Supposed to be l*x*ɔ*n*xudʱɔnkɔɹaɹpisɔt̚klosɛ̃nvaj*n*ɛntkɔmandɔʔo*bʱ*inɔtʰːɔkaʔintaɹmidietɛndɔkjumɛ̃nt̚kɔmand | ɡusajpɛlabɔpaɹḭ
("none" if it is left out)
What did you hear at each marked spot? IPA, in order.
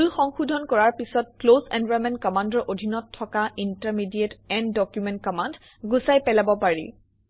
x, ŋ, m, dʱ

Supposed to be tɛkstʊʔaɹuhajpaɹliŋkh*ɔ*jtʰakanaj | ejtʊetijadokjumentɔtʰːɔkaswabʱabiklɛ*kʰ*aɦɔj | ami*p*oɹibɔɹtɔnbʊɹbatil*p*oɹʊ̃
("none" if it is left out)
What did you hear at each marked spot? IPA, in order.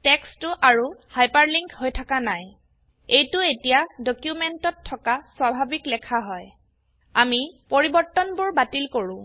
o, kʰ, p, k

